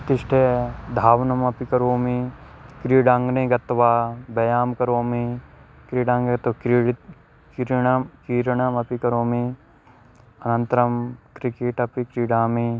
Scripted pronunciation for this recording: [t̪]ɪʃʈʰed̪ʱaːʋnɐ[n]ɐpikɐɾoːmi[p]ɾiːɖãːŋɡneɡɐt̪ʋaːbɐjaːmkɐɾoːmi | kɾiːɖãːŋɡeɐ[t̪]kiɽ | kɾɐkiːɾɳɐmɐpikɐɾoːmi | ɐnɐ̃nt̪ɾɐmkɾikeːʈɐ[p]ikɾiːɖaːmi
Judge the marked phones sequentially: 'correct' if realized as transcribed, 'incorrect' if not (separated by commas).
correct, incorrect, incorrect, correct, correct